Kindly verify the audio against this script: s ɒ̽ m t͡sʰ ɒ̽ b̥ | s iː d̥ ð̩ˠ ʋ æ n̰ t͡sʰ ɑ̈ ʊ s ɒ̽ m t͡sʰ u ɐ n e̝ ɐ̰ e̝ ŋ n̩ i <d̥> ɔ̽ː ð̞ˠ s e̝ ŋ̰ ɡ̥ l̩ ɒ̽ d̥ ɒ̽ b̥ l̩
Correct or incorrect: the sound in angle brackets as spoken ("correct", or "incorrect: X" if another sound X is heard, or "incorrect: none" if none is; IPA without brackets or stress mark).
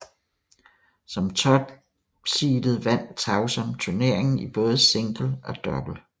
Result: incorrect: b̥